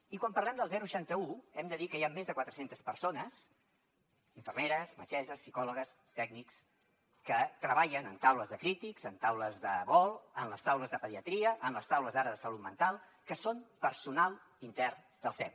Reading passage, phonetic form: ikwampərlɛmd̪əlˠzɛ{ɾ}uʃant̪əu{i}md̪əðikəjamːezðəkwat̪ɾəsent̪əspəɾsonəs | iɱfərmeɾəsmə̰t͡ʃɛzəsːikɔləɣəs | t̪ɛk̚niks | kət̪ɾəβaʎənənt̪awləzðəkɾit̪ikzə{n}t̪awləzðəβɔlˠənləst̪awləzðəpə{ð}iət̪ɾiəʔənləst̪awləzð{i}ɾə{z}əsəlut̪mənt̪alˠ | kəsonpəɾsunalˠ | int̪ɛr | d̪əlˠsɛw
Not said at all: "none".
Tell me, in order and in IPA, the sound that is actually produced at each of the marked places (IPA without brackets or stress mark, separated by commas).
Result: ɾ, ɛ, n, ð, a, ð